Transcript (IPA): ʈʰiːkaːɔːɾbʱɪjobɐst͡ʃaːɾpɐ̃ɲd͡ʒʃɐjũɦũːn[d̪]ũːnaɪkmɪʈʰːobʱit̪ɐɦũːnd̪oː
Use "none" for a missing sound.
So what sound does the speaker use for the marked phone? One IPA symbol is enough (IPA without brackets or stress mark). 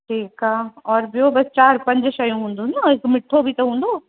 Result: d̪